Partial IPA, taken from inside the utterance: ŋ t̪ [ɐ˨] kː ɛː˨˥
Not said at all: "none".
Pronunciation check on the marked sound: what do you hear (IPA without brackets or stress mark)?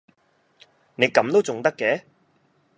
ɐ˥